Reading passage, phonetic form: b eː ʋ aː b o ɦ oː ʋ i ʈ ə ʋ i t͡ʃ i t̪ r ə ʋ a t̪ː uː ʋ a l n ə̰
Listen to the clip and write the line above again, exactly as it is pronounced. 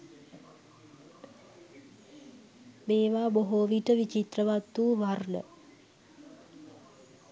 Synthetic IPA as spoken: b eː ʋ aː b o ɦ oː ʋ i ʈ ə ʋ i t͡ʃ i t̪ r ə ʋ a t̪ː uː ʋ a r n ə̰